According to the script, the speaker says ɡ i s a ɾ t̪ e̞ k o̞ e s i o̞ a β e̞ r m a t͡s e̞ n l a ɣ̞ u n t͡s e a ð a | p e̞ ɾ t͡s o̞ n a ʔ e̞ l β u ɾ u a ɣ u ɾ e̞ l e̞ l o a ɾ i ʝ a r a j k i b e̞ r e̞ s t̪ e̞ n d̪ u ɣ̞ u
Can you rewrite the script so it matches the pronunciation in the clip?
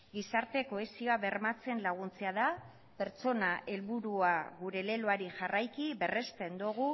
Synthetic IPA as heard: ɡ i s a ɾ t̪ e̞ k o̞ e s i o̞ a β e̞ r m a t͡s e̞ n l a ɣ̞ u n t͡s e a ð a | p e̞ ɾ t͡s o̞ n a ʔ e̞ l β u ɾ u a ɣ u ɾ e̞ l e̞ l o a ɾ i ʝ a r a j k i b e̞ r e̞ s t̪ e̞ n d̪ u ɣ̞ u